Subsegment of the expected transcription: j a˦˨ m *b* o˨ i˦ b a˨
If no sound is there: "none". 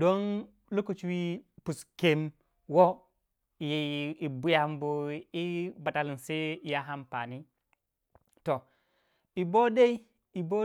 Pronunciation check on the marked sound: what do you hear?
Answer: b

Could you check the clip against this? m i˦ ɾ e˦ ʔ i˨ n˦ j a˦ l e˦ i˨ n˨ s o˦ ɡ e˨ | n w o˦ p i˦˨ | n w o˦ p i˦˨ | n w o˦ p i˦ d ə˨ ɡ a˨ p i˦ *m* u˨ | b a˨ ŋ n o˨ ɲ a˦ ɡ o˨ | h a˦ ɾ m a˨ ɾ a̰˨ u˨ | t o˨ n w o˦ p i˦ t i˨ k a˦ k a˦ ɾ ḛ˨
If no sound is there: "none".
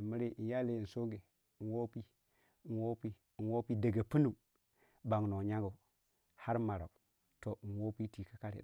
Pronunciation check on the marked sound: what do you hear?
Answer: n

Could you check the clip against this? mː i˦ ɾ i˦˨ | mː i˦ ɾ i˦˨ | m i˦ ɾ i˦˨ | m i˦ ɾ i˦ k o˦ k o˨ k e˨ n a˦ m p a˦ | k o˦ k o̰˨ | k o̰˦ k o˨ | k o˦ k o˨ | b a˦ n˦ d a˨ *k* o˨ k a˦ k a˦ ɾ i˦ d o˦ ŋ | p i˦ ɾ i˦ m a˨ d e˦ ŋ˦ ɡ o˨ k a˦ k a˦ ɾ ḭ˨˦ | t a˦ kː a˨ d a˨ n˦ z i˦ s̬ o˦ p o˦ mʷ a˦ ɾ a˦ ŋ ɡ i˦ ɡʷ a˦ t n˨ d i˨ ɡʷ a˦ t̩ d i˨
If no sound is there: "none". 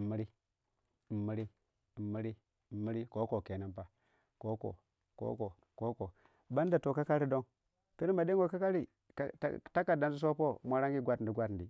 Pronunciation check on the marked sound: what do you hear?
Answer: t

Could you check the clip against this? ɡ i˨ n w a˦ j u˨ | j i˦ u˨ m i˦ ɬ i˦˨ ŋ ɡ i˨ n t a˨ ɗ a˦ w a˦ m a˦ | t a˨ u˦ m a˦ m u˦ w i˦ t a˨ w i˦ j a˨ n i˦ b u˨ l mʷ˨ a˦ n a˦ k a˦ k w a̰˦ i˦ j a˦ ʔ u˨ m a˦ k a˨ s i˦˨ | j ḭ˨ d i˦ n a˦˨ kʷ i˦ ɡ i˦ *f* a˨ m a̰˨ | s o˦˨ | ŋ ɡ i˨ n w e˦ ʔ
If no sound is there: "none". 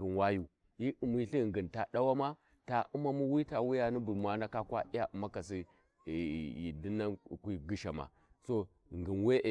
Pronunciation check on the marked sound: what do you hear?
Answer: ʃ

